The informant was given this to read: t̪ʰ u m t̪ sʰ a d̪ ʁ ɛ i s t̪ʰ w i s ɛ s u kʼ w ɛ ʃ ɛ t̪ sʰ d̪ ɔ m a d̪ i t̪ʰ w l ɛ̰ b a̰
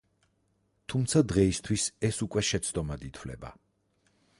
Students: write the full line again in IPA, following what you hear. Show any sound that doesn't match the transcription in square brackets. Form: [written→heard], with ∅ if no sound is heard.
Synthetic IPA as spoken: t̪ʰ u m t̪ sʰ a d̪ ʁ ɛ i s t̪ʰ w i s ɛ s u kʼ w ɛ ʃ ɛ t̪ sʰ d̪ ɔ m a d̪ i t̪ʰ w l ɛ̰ b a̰